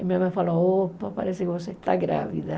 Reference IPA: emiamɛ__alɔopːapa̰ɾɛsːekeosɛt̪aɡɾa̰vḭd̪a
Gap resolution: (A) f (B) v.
A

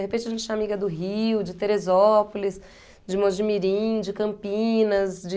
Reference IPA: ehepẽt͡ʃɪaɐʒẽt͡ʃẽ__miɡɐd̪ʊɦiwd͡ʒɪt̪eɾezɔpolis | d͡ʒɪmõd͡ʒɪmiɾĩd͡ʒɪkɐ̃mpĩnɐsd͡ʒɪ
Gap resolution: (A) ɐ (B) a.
B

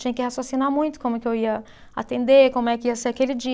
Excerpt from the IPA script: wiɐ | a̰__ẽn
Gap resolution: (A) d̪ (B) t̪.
B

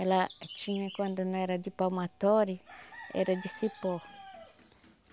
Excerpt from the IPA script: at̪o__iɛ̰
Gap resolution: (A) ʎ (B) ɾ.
B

